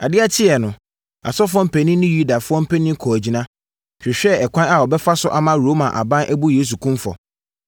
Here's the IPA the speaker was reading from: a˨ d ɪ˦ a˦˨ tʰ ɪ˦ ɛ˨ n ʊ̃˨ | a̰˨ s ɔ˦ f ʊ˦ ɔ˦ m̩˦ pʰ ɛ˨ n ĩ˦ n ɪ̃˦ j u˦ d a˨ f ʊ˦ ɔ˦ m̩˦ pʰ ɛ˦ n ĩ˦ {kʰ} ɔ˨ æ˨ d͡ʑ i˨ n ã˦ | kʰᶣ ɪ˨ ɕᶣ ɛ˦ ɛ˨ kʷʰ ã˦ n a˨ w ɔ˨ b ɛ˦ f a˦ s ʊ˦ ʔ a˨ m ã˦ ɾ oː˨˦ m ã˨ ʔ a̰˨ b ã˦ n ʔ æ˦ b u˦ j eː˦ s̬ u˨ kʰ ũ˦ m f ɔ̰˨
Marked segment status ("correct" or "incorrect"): correct